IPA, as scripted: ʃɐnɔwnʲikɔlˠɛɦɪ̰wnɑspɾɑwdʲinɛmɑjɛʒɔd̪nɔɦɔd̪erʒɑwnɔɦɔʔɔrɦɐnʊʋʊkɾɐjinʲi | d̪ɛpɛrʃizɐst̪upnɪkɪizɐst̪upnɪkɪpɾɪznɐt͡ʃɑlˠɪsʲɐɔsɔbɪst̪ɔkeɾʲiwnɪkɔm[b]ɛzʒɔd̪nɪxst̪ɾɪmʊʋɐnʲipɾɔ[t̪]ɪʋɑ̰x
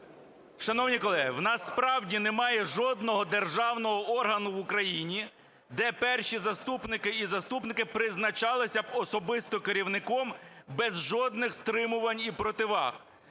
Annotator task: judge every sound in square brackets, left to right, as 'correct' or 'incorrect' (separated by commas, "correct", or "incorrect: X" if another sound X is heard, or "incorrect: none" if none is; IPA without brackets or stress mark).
correct, correct